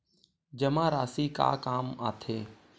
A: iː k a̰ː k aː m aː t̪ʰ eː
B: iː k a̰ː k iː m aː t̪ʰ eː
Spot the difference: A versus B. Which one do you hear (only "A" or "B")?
A